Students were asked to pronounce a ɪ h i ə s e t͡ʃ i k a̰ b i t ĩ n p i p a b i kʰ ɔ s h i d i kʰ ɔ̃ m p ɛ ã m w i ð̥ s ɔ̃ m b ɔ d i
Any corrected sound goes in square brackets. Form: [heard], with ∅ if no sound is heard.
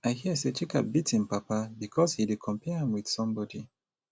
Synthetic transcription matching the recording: a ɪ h i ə s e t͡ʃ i k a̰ b i t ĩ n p [a] p a b i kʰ ɔ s h i d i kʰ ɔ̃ m p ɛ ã m w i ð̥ s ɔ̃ m b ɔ d i